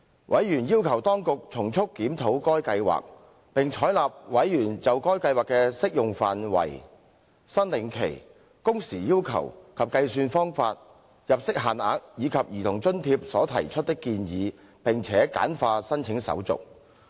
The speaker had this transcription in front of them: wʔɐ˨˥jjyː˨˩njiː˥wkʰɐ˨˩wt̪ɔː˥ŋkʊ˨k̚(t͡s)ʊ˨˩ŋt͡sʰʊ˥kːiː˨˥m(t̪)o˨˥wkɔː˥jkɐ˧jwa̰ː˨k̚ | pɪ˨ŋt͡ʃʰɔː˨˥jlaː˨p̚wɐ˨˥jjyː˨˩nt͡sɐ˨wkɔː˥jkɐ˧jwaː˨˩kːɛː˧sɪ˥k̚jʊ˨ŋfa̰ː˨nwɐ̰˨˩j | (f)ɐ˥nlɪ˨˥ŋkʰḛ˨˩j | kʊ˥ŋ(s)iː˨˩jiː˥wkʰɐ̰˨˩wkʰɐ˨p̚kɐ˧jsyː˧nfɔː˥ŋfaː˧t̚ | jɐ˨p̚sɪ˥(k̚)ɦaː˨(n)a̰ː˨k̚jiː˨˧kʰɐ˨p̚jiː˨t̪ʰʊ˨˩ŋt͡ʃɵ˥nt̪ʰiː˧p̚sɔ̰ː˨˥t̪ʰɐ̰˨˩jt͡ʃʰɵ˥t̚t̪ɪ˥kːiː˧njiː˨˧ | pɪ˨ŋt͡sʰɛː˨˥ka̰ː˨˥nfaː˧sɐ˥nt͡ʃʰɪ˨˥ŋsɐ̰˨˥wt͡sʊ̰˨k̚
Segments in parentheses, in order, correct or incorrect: incorrect: t͡sʰ, incorrect: t̪ʰ, incorrect: s, correct, correct, correct

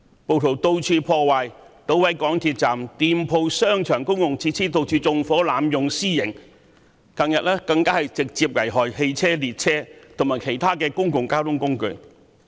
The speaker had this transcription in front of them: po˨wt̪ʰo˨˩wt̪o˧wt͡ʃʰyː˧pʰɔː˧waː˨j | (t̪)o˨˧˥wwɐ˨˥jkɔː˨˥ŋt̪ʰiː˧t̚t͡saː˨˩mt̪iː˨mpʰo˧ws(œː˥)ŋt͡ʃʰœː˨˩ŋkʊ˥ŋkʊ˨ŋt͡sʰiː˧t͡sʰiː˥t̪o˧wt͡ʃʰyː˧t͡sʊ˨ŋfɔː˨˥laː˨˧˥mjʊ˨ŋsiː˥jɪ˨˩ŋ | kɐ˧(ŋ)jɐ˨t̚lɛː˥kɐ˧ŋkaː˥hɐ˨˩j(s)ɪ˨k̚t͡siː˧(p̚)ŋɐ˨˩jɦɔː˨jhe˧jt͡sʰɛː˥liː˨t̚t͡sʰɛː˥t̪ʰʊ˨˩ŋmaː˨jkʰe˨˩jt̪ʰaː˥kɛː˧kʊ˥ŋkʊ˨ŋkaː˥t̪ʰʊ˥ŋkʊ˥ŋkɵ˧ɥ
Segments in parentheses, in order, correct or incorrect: correct, correct, correct, incorrect: t͡s, correct

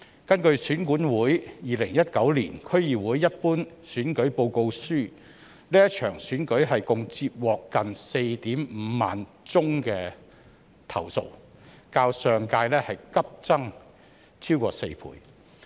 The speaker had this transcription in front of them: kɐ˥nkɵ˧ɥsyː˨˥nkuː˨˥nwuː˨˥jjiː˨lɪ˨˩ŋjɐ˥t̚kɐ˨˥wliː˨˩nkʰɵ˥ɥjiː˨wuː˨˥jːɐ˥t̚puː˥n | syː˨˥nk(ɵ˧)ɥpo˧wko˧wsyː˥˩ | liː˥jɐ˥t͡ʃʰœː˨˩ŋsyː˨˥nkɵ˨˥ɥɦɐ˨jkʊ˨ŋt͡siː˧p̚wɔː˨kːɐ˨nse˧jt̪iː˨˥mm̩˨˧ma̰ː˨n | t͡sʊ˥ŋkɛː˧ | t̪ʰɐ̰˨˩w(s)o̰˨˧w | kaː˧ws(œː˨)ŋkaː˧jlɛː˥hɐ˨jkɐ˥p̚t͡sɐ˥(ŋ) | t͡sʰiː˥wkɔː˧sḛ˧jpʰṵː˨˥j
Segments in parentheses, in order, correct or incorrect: incorrect: ɵ˨˥, correct, correct, correct

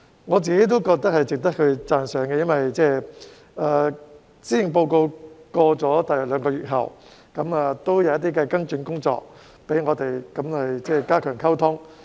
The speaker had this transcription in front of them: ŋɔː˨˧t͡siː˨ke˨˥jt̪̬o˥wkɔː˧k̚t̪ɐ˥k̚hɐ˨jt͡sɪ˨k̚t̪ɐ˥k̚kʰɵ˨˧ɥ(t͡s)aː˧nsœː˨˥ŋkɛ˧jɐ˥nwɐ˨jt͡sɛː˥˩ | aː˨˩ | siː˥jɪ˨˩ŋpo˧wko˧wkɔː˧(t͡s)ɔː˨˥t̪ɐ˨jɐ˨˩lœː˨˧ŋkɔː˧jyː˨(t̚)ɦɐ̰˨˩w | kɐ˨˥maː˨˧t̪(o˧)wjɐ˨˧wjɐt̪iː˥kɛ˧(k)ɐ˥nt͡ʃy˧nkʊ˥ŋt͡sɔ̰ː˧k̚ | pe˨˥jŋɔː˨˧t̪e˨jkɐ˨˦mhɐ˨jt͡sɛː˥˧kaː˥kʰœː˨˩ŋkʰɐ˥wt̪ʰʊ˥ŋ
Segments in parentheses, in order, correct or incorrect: correct, correct, correct, incorrect: o˥, correct

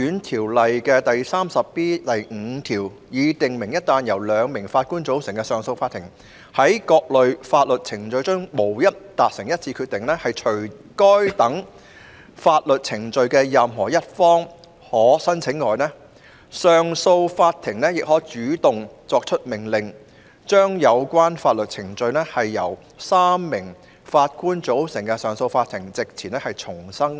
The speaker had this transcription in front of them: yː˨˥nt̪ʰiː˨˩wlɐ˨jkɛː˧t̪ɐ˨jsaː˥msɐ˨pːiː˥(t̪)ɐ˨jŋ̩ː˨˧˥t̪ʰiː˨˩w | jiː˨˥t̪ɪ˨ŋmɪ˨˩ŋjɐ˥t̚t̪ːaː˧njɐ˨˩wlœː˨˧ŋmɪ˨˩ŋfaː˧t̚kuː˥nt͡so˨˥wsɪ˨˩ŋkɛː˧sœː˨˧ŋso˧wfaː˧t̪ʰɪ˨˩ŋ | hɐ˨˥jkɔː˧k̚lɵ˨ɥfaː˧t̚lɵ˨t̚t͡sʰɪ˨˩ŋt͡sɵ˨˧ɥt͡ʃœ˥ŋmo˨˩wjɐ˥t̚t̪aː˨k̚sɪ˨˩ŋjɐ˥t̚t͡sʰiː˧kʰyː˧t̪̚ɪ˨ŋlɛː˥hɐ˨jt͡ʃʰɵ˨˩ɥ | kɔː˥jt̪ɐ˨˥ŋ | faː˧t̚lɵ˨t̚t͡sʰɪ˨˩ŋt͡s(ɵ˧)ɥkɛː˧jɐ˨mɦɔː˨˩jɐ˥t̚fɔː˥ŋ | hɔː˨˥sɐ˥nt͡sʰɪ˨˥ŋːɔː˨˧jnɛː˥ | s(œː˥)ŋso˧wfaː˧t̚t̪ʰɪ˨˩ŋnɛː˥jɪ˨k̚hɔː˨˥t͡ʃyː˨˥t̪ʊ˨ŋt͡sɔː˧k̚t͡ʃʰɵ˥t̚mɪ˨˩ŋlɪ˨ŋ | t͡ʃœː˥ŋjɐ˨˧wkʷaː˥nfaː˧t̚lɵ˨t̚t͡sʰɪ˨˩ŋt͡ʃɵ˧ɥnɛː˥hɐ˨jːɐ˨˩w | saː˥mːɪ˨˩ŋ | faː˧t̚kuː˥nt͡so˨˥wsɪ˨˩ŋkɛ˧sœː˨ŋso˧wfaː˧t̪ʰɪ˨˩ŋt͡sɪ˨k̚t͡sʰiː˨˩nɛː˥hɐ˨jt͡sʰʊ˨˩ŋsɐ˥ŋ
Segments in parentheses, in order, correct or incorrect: correct, correct, incorrect: œː˨

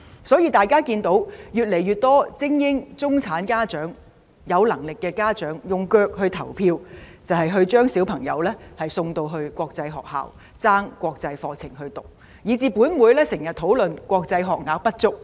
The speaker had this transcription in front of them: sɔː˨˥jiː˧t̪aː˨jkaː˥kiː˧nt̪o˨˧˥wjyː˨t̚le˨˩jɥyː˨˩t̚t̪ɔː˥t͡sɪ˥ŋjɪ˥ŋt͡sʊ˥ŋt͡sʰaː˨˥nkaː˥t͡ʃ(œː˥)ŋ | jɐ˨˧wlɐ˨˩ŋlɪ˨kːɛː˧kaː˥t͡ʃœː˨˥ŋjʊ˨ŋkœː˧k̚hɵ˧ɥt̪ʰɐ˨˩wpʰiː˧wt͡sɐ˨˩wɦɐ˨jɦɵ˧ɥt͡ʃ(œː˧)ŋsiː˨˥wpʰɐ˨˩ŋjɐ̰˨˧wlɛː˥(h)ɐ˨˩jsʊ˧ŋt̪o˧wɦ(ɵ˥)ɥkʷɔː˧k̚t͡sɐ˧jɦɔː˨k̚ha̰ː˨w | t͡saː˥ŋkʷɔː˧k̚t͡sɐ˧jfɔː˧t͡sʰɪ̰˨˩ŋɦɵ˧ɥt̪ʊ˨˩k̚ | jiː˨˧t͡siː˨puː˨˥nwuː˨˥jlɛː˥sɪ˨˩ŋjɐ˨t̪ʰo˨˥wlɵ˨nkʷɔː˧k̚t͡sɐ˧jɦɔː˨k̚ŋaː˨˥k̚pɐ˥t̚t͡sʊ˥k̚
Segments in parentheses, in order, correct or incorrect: incorrect: œː˨˥, incorrect: œː˥, correct, incorrect: ɵ˧

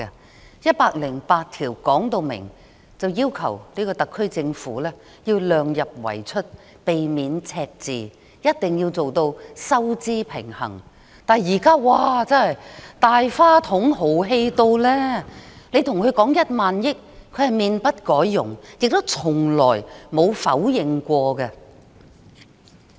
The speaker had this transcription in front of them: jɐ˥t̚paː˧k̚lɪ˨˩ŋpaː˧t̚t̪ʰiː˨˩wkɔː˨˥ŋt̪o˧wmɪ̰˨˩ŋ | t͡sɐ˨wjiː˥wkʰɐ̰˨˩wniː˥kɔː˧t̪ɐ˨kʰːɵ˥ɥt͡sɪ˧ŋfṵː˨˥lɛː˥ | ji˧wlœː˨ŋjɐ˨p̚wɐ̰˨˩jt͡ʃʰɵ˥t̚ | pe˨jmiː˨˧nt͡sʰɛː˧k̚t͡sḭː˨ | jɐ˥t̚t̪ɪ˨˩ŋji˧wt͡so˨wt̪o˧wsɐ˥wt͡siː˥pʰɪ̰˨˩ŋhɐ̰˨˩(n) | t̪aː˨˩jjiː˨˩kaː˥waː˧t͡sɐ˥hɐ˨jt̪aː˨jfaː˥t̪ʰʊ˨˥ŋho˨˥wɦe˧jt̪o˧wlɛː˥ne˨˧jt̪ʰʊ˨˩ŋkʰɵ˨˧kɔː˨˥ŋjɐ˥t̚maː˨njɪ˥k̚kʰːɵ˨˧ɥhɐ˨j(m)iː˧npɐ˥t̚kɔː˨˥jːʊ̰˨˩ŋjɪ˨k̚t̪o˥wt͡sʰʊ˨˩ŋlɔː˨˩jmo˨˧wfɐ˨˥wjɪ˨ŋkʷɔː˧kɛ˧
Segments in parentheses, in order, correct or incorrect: incorrect: ŋ, correct

